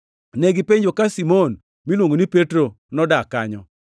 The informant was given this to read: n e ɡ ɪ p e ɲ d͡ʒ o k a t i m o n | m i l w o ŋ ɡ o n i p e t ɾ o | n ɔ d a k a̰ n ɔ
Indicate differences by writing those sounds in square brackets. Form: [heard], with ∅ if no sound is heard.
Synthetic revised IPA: n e ɡ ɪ p e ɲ d͡ʒ o k a [s] i m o n | m i l w o ŋ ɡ o n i p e t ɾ o | n ɔ d a k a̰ [ɲ] ɔ